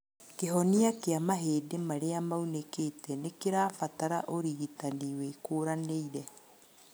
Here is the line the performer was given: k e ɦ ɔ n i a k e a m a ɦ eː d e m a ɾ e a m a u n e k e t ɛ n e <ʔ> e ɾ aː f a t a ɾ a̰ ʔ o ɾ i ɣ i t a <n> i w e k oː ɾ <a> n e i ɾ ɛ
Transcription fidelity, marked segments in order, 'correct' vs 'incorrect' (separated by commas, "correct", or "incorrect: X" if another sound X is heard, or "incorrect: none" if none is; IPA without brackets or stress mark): incorrect: k, correct, correct